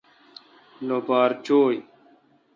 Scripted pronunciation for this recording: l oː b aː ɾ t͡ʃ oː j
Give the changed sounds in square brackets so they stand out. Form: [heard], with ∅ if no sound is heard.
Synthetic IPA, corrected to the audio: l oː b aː ɾ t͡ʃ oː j